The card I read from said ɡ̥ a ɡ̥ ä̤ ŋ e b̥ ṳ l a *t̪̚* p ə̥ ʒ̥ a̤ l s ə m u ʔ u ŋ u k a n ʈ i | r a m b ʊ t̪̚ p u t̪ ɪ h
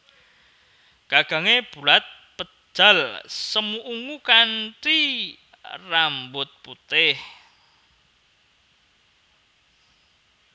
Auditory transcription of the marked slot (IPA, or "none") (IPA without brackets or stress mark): t̪̚